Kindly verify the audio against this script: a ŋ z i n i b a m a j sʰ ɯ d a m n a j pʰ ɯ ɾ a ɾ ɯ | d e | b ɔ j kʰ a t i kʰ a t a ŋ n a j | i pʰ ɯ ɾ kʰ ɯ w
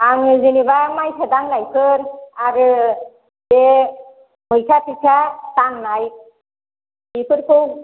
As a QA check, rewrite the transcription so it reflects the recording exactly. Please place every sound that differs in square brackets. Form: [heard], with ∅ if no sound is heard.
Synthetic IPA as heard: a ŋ z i n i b a m a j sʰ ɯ d a [ŋ] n a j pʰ ɯ ɾ a ɾ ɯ | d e | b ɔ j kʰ a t i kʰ a t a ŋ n a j | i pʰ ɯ ɾ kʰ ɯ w